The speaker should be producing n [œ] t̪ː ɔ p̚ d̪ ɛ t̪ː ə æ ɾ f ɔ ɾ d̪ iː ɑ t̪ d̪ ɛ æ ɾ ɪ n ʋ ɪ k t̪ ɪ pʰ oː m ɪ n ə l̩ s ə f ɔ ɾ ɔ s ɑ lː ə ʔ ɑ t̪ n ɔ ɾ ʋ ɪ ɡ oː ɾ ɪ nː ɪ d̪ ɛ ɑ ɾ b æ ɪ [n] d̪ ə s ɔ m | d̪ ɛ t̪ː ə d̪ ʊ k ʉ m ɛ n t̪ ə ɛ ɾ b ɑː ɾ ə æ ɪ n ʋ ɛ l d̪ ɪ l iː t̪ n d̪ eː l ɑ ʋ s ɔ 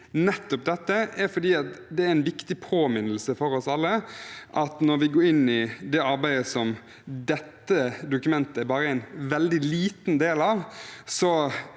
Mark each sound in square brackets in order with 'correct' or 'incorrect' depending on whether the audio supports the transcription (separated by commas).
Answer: incorrect, incorrect